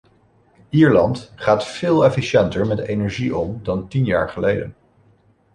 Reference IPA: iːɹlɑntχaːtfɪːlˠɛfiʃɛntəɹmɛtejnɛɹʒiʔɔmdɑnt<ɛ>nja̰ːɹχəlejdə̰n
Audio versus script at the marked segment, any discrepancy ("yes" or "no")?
yes